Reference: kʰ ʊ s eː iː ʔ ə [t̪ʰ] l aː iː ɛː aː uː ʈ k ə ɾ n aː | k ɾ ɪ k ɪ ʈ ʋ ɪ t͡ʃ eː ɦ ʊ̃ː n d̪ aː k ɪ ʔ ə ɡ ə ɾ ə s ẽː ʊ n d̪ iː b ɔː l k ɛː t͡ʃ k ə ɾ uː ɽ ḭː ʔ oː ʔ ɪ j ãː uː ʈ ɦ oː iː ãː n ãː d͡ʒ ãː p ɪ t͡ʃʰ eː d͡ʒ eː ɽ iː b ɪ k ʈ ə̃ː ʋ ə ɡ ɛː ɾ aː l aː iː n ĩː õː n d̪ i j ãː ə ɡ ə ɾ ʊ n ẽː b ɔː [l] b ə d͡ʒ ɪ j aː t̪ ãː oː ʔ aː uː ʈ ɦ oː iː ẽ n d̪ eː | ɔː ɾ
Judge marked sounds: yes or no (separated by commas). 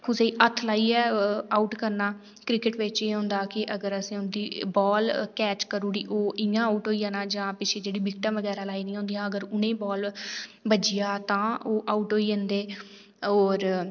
yes, yes